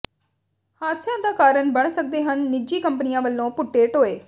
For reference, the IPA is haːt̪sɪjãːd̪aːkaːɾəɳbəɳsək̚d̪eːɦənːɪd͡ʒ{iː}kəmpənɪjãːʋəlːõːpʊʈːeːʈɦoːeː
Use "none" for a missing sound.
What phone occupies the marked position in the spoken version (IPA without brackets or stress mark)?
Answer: iː